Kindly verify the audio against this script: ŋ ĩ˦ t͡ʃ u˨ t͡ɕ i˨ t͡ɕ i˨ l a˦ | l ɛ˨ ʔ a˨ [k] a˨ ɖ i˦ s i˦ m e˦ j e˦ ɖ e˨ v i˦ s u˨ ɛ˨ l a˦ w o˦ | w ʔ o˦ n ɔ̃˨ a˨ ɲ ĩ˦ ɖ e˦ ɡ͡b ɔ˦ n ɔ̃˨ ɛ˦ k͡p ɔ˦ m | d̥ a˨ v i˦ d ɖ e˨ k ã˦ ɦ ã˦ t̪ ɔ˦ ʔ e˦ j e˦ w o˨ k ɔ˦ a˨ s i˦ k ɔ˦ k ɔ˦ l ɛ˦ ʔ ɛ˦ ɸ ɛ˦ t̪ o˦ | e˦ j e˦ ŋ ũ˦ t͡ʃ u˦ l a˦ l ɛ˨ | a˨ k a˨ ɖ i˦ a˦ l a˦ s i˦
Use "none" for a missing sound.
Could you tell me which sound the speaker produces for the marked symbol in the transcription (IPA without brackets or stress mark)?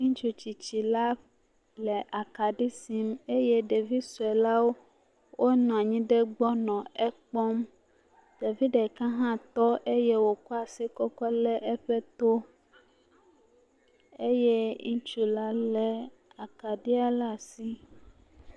k